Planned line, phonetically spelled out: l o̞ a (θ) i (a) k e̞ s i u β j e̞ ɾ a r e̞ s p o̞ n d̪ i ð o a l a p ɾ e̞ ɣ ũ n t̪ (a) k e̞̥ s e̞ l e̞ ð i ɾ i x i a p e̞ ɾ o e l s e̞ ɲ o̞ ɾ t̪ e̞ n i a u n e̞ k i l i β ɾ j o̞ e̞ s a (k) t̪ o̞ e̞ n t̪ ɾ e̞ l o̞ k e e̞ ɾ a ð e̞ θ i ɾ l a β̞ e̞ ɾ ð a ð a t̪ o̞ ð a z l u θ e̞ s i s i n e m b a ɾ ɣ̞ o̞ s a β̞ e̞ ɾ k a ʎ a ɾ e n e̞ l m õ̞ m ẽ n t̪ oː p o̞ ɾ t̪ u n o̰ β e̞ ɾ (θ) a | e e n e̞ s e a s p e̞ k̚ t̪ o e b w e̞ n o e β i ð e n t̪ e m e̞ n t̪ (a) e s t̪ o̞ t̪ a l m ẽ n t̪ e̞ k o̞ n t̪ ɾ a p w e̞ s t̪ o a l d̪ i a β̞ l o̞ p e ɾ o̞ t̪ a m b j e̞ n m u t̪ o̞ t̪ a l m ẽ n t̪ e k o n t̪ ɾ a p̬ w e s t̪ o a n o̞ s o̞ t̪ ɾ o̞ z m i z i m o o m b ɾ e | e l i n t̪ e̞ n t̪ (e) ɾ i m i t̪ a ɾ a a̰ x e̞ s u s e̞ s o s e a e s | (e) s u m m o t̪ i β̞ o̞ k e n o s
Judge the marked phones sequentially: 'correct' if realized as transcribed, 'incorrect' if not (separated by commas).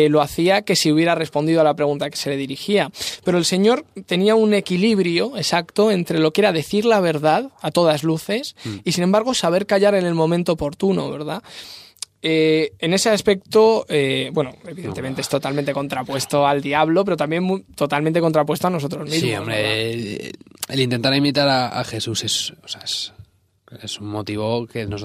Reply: correct, correct, correct, correct, incorrect, incorrect, incorrect, correct